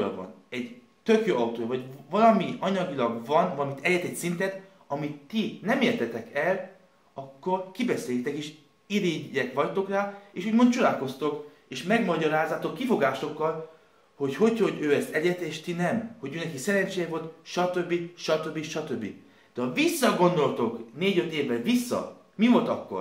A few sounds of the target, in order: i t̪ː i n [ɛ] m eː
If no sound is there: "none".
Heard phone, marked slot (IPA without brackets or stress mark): ɛ